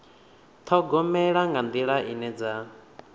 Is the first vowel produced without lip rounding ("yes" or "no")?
no